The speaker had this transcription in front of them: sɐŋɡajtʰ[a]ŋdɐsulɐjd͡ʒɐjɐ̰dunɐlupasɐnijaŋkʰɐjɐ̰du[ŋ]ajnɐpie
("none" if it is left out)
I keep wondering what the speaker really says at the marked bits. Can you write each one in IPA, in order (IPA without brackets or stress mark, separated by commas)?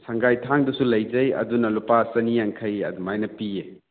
a, m